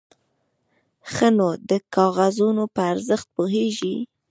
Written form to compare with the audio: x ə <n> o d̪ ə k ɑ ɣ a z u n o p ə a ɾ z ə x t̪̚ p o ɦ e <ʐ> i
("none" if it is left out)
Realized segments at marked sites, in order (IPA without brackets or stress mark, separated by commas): n, ʒ